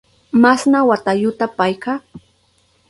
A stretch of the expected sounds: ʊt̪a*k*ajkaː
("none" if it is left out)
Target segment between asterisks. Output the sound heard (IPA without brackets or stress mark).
p